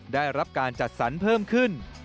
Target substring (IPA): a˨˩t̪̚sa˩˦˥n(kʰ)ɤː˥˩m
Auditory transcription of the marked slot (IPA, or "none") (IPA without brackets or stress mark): pʰ